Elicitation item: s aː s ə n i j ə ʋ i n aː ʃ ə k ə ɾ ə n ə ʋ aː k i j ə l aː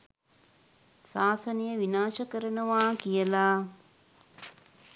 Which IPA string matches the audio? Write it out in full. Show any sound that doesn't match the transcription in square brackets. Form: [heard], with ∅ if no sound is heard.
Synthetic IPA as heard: s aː s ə n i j ə ʋ i n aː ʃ ə k ə ɾ ə n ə ʋ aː k i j ə l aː